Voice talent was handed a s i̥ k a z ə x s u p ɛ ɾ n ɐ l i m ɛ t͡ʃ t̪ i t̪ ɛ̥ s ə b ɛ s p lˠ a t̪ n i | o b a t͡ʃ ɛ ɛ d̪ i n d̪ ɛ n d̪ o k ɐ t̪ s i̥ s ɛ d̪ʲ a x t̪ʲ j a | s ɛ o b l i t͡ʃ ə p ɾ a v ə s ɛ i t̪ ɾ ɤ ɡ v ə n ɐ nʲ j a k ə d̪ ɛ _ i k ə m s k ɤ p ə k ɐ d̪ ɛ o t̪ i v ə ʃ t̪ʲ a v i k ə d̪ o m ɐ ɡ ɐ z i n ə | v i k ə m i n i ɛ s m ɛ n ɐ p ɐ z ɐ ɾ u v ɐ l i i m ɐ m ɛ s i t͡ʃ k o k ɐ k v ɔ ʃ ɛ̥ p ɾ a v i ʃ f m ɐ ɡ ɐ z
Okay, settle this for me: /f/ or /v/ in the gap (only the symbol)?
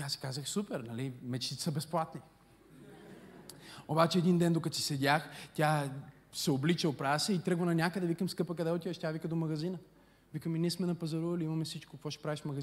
v